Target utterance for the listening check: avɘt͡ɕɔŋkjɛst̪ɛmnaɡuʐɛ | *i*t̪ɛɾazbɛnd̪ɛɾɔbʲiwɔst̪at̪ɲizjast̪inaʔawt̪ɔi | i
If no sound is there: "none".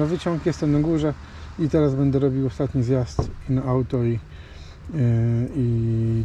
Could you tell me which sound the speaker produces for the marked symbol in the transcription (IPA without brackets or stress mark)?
i